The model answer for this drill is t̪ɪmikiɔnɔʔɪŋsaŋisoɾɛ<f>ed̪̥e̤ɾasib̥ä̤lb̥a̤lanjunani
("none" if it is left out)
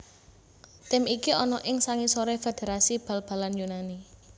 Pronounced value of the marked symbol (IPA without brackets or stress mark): f